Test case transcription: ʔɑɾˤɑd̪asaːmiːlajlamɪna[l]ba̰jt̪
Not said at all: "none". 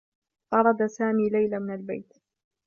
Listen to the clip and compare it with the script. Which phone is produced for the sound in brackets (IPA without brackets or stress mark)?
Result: l